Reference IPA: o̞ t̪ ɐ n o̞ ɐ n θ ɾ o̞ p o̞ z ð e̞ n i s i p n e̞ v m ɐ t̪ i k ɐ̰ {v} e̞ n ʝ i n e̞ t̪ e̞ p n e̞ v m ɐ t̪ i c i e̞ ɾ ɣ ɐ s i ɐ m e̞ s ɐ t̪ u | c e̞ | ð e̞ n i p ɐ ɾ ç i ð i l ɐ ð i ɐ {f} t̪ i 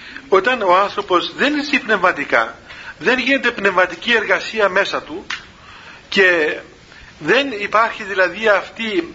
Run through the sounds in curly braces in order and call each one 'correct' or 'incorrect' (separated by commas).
incorrect, correct